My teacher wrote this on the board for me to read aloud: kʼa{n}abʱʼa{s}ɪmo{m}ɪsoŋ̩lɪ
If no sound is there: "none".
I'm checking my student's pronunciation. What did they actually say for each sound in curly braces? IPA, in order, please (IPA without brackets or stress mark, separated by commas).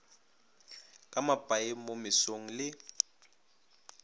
m, none, m